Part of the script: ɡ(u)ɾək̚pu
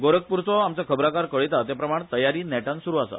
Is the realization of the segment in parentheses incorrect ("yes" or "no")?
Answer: yes